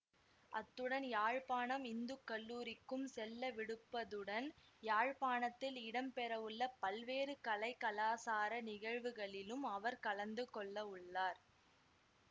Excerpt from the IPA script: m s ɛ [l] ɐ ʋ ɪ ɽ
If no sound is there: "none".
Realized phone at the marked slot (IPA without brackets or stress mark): lː